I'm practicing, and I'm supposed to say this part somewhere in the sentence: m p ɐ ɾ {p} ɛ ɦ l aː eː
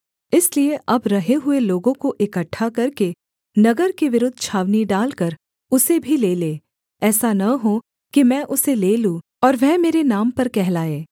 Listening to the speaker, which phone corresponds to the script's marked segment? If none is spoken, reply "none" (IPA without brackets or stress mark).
k